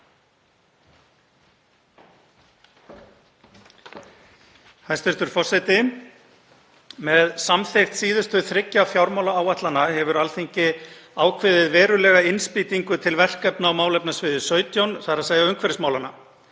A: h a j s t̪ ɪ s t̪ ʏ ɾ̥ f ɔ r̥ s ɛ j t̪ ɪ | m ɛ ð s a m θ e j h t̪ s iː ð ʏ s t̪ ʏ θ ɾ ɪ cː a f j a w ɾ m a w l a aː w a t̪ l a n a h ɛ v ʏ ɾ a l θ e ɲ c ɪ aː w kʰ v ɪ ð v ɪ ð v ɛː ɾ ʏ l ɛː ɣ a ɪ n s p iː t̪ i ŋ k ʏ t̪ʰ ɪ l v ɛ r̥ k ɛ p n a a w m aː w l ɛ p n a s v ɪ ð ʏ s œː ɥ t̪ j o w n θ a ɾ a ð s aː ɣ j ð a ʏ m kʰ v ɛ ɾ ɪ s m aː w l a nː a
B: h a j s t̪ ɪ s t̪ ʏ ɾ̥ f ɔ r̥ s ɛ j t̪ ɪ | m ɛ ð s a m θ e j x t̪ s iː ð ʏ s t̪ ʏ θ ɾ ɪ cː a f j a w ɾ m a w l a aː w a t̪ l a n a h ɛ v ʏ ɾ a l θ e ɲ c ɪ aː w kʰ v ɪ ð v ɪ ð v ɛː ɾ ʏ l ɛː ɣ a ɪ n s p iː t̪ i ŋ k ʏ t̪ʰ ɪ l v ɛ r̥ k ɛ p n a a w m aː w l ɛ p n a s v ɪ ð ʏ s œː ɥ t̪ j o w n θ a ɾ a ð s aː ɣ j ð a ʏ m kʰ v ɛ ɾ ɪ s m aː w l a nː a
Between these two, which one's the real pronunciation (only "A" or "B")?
B